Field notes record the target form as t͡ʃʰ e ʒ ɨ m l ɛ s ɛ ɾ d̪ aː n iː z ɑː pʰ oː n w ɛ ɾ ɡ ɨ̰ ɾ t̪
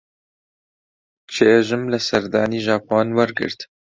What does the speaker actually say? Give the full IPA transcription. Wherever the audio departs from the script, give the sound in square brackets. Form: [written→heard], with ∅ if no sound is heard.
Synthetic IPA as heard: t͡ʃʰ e ʒ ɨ m l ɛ s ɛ ɾ d̪ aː n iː [z→ʒ] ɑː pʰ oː n w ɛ ɾ ɡ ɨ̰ ɾ t̪